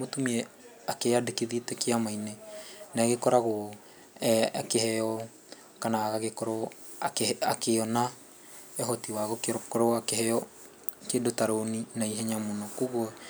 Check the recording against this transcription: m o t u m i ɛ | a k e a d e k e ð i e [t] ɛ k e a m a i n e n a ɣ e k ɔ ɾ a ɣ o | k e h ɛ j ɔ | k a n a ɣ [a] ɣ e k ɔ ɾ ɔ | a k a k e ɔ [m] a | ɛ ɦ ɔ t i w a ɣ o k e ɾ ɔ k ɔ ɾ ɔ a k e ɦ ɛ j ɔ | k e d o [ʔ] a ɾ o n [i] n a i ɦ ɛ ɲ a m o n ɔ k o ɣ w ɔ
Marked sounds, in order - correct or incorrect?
correct, correct, incorrect, incorrect, correct

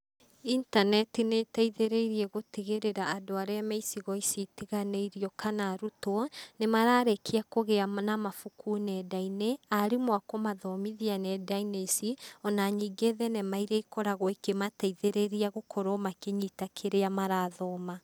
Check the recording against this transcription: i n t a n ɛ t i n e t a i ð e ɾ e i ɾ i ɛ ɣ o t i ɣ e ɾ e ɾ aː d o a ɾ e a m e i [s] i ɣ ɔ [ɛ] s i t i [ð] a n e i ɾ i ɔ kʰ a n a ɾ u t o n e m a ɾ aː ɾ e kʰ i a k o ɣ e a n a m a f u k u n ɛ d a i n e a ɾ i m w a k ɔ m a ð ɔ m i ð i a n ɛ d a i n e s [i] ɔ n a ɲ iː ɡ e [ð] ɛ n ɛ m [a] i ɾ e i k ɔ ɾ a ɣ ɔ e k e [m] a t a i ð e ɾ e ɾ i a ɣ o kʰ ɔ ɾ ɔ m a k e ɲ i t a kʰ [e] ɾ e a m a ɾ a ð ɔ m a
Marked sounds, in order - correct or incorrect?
correct, incorrect, incorrect, correct, correct, correct, correct, correct

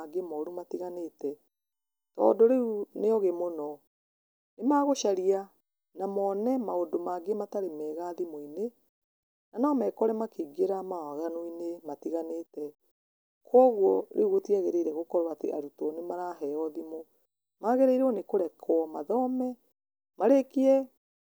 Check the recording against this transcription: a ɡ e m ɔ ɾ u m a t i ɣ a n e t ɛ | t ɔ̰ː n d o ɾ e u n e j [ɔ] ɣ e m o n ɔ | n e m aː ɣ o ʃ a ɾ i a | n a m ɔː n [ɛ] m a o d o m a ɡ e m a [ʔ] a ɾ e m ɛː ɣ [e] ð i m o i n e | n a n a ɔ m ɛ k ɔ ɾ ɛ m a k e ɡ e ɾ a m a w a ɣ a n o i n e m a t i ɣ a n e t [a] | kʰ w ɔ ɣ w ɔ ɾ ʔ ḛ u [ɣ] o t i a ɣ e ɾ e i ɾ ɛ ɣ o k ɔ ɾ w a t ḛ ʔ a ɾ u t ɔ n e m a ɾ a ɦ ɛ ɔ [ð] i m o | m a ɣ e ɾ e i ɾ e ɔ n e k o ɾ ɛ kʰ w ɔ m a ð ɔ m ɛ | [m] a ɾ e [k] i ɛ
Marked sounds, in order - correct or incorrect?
correct, correct, incorrect, incorrect, incorrect, correct, correct, correct, correct

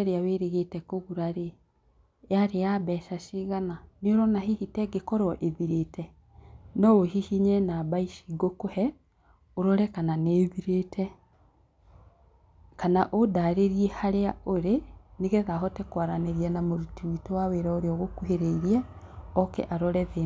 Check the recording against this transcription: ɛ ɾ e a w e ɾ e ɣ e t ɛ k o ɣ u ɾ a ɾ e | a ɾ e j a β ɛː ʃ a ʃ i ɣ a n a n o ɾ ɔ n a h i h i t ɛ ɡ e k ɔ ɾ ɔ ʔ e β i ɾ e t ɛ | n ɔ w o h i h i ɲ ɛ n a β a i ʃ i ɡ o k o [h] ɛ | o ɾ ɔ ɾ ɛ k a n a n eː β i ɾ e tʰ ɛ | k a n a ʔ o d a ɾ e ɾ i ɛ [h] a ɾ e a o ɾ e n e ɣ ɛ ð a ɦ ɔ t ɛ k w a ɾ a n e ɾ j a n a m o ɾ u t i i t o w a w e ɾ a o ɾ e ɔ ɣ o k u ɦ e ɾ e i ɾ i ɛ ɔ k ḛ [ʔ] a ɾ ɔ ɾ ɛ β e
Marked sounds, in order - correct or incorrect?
correct, correct, correct

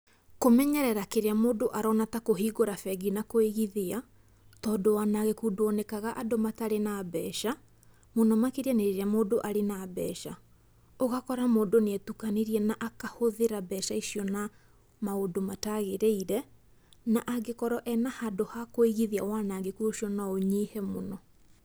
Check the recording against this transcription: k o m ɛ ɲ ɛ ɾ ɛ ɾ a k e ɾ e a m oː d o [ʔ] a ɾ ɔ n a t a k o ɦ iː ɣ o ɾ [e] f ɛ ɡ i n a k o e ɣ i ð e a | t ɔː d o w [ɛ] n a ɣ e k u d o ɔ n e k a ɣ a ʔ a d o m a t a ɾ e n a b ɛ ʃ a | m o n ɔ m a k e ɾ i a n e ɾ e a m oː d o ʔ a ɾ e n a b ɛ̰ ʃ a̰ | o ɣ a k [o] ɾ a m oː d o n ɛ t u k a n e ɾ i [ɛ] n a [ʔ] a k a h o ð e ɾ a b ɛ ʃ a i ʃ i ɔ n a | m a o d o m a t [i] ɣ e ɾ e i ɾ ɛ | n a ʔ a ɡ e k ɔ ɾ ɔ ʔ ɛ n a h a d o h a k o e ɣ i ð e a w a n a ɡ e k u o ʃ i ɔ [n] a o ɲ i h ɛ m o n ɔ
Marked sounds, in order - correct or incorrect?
correct, incorrect, incorrect, incorrect, correct, correct, incorrect, correct

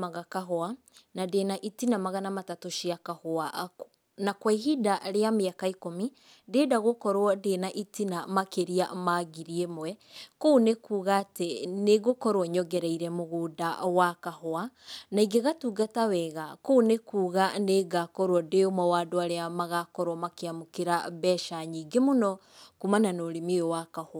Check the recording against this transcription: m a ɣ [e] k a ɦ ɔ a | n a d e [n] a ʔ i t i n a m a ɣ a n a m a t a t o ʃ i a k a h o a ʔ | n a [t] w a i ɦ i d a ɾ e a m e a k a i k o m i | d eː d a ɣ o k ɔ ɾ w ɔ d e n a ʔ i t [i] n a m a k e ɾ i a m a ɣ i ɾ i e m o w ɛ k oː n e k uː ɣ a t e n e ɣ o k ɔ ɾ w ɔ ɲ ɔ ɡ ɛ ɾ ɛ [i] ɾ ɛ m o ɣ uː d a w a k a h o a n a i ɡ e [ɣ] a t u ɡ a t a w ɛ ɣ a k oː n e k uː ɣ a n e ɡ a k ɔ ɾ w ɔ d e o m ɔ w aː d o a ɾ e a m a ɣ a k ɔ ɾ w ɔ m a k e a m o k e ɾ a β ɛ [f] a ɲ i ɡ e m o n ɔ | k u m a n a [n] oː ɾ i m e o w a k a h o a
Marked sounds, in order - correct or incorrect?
incorrect, correct, incorrect, correct, correct, correct, incorrect, correct

